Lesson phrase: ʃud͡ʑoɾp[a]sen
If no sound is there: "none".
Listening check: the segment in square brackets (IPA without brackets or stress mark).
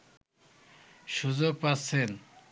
a